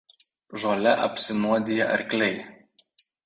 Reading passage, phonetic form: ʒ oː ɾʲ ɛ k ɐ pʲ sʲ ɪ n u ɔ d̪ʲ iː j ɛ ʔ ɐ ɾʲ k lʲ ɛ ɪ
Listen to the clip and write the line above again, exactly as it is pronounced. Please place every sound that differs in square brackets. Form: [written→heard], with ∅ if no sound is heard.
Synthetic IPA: ʒ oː [ɾʲ→lʲ] ɛ [k→ʔ] ɐ pʲ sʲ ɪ n u ɔ d̪ʲ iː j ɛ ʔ ɐ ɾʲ k lʲ ɛ ɪ